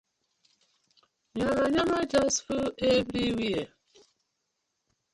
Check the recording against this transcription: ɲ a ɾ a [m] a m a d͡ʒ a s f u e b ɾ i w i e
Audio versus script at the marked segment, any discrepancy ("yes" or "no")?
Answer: yes